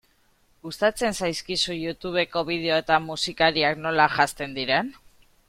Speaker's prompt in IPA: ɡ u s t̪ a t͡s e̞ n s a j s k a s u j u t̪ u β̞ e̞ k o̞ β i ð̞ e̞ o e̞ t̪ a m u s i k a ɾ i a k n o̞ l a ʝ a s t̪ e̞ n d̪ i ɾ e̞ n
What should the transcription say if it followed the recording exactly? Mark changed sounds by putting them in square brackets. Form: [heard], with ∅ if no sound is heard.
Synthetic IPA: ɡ u s t̪ a t͡s e̞ n s a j s k [i] s u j u t̪ u β̞ e̞ k o̞ β i ð̞ e̞ o e̞ t̪ a m u s i k a ɾ i a k n o̞ l a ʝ a s t̪ e̞ n d̪ i ɾ e̞ n